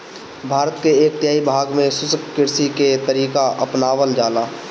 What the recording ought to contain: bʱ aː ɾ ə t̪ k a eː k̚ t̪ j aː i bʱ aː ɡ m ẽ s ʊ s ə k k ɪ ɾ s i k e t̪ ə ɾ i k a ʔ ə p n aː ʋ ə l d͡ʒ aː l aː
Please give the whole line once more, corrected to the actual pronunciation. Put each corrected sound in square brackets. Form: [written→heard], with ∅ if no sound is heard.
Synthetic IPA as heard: bʱ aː ɾ ə t̪ k [a→e] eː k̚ t̪ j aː i bʱ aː ɡ m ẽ s ʊ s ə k k ɪ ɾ s i k e t̪ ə ɾ [i→iː] k a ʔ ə p n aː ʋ ə l d͡ʒ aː l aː